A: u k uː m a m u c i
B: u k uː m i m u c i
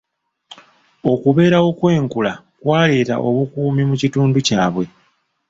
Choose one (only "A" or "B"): B